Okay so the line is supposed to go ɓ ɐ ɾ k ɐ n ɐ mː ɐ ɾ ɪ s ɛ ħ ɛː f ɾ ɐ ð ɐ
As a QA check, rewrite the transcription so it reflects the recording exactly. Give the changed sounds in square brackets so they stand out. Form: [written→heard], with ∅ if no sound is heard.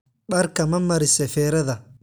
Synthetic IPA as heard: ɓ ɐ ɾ k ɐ [n→m] ɐ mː ɐ ɾ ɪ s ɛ [ħ→f] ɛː [f→∅] ɾ ɐ ð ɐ